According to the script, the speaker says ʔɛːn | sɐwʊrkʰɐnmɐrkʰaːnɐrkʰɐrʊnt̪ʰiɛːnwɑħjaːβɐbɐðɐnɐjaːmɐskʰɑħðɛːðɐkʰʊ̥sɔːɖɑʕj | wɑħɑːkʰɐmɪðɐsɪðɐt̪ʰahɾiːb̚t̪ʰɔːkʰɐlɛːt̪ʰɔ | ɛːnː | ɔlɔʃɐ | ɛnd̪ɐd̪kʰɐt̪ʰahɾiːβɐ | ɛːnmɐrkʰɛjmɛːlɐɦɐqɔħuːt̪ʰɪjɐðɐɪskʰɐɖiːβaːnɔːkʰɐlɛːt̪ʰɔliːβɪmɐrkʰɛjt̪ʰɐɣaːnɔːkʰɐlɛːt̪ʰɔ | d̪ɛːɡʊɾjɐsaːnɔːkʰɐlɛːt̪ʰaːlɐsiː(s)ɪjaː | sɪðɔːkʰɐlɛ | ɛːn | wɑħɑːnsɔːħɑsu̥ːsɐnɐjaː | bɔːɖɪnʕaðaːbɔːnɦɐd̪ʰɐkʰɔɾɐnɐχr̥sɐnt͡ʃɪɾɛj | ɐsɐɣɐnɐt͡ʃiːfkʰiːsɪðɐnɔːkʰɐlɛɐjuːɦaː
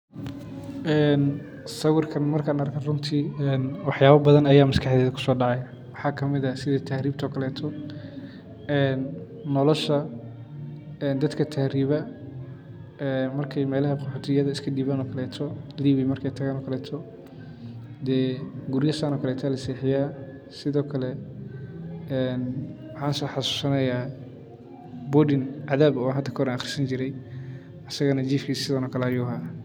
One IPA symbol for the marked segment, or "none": ħ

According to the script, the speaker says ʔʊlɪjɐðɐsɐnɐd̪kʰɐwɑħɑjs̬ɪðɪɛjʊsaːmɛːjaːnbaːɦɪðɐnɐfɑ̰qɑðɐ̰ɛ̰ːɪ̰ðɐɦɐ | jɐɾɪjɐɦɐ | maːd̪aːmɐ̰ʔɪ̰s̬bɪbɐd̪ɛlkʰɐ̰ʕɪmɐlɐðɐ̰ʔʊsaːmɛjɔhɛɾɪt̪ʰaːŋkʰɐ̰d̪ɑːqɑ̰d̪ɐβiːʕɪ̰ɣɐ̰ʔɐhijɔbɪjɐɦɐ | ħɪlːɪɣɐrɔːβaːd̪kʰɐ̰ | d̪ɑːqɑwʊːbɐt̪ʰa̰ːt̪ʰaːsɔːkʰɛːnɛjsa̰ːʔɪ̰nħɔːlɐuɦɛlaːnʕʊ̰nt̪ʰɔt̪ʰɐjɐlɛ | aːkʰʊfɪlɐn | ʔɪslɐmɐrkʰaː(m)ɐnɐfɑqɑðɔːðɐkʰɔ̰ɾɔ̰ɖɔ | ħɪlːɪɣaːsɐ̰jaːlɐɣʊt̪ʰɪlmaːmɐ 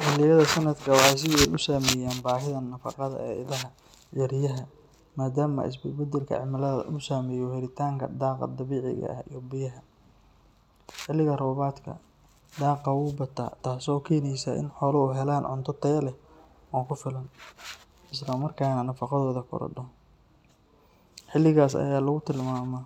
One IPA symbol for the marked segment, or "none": n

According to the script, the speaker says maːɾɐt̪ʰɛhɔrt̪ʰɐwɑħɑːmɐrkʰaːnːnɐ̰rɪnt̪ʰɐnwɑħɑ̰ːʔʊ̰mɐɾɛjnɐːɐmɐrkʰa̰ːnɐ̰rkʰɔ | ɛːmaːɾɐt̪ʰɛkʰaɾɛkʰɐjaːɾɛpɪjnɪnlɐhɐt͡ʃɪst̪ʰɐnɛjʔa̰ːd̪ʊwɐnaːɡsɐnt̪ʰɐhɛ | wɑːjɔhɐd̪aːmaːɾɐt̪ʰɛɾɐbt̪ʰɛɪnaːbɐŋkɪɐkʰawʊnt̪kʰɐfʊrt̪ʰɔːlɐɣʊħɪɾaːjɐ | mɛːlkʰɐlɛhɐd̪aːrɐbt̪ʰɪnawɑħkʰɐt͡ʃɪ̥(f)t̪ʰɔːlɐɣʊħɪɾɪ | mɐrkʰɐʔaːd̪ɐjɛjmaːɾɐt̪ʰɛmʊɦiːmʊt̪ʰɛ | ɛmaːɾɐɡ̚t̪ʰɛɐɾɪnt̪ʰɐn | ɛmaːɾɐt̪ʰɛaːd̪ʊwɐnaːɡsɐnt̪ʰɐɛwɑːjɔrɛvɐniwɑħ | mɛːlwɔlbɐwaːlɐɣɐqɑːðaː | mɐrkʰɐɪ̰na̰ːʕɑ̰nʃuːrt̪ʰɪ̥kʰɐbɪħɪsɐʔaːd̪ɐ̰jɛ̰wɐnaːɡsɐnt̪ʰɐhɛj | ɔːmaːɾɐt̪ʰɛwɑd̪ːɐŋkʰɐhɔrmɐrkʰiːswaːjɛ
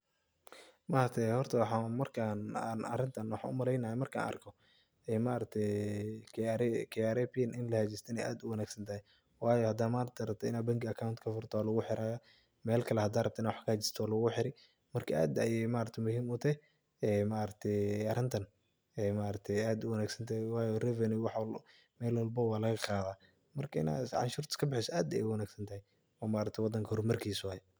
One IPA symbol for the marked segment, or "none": s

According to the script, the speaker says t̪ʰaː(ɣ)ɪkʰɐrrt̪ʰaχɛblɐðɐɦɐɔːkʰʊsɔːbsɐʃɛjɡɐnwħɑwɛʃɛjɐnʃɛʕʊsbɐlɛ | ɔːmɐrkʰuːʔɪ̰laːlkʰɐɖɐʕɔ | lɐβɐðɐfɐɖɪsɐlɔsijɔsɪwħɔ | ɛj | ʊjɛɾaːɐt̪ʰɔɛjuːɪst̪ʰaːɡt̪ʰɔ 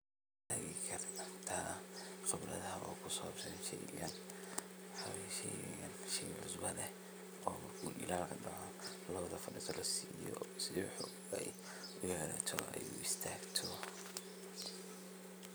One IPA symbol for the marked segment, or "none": ɣ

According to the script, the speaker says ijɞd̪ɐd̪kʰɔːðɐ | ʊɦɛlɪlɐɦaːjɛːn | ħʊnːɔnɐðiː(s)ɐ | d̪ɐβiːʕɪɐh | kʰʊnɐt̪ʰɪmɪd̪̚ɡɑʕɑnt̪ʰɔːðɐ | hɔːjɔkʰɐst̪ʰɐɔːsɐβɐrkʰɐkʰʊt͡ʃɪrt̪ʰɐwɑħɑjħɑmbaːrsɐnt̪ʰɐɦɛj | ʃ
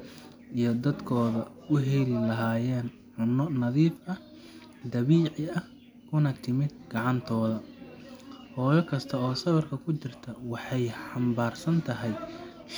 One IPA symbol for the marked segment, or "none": f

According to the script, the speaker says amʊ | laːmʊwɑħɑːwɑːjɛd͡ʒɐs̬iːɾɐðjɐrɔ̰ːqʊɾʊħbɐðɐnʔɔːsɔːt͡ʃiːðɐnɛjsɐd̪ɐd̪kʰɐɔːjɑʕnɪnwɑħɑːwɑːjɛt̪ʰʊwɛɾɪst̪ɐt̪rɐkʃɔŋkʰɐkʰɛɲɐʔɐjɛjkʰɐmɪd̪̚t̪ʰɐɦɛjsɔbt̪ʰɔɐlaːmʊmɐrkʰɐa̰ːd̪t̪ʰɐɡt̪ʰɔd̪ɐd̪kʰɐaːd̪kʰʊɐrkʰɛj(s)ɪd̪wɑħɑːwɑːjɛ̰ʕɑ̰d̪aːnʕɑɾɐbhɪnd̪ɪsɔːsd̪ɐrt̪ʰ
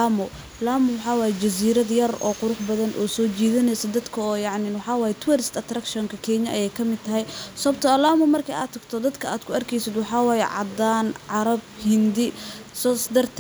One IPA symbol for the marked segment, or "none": s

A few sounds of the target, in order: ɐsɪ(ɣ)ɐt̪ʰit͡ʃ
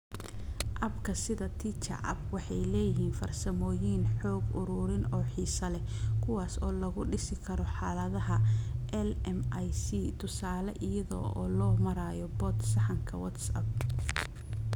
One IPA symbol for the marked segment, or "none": ð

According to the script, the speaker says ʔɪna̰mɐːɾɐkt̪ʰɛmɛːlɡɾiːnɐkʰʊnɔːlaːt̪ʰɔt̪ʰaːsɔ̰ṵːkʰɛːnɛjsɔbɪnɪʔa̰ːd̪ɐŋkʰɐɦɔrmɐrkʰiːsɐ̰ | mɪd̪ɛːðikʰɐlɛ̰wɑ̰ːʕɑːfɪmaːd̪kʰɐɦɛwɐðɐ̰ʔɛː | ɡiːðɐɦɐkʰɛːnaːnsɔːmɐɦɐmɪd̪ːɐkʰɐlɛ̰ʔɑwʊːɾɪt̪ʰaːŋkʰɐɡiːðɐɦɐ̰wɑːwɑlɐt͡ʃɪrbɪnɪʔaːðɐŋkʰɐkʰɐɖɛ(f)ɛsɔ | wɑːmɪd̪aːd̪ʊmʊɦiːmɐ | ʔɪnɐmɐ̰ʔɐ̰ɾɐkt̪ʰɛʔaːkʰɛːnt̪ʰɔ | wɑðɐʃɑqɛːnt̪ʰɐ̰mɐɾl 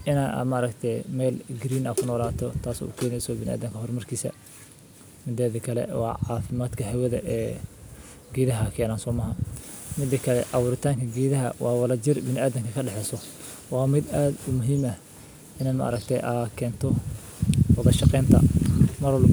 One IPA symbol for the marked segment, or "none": ħ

